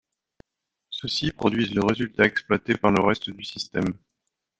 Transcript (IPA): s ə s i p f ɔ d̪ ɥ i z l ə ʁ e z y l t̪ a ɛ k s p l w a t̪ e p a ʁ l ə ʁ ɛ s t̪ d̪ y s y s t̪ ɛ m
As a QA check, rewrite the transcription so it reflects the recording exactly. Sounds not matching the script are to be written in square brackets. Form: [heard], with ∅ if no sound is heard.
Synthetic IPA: s ə s i p [χ] ɔ d̪ ɥ i z l ə ʁ e z y l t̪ a ɛ k s p l w a t̪ e p a ʁ l ə ʁ ɛ s t̪ d̪ y s [i] s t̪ ɛ m